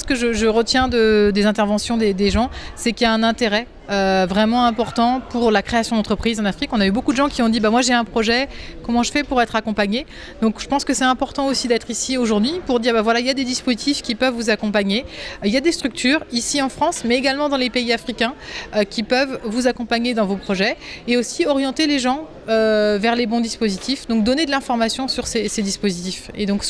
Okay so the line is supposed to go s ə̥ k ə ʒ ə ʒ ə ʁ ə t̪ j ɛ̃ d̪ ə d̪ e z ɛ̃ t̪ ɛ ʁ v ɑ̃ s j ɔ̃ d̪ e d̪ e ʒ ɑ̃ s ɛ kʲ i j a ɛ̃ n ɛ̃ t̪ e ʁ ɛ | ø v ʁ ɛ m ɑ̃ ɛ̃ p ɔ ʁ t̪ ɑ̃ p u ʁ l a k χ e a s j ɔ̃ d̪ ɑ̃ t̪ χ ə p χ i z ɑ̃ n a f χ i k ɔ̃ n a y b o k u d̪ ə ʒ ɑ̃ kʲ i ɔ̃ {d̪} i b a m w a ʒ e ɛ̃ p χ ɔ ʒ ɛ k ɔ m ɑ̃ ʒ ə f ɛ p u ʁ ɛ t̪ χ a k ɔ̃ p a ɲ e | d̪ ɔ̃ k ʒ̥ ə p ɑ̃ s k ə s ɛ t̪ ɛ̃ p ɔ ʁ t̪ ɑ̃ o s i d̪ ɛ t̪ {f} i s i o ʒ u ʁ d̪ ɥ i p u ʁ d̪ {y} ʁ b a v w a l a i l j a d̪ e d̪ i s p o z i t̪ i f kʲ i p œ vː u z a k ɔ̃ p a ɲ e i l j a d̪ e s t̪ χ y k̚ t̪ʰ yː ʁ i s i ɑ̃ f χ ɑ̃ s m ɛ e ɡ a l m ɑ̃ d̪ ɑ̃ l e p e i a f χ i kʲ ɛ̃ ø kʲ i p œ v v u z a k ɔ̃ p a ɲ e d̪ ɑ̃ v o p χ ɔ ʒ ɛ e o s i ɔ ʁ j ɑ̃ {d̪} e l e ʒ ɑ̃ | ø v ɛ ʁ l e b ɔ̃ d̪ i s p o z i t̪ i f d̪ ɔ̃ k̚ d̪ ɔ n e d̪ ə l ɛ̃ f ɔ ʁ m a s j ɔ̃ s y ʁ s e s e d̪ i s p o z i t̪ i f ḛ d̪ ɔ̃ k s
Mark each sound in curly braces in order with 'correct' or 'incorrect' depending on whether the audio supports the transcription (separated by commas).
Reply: correct, incorrect, incorrect, incorrect